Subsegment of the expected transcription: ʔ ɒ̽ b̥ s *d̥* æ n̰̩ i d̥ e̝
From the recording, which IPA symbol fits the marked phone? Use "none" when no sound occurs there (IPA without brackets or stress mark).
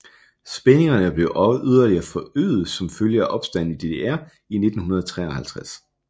d̥